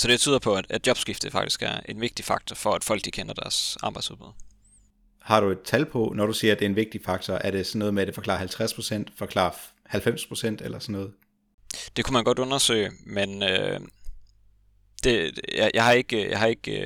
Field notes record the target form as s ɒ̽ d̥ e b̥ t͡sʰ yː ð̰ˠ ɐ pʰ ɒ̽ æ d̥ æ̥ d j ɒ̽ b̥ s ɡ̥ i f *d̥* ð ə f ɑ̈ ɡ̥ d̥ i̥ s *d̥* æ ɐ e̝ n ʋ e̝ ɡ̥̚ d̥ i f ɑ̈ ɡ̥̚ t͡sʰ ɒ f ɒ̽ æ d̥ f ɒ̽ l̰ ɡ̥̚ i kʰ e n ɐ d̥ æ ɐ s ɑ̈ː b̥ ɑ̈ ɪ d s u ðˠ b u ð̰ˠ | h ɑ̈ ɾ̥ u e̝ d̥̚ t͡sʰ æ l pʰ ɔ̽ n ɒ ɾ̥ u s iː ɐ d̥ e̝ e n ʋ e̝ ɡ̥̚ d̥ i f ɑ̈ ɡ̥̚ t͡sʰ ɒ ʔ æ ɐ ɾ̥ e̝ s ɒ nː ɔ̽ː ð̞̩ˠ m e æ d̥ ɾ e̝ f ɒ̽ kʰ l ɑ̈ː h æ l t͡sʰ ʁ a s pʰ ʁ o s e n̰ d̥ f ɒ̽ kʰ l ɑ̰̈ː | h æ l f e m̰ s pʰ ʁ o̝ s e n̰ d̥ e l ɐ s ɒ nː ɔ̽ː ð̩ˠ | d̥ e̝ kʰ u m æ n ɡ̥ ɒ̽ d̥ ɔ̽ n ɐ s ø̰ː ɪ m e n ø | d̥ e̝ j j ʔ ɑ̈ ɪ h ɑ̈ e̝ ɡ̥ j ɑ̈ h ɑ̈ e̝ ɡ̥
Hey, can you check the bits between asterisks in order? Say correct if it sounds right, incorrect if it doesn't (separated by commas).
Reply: correct, incorrect